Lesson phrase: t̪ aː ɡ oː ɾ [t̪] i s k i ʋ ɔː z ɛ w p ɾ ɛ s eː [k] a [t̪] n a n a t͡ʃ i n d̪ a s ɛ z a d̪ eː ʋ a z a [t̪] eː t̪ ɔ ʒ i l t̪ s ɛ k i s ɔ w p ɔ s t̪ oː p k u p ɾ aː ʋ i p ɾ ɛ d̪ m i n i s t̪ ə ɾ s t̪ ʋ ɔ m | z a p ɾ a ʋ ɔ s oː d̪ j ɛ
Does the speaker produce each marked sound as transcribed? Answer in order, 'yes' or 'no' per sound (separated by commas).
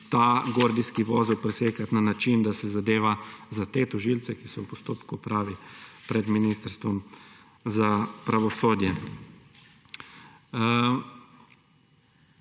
no, yes, yes, yes